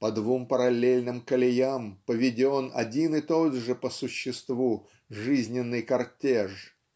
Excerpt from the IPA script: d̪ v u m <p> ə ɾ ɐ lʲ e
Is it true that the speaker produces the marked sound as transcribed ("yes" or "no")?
yes